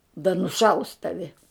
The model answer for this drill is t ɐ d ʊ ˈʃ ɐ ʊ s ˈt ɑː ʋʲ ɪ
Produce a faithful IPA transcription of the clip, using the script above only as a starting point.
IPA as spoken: d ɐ n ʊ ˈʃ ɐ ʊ s ˈt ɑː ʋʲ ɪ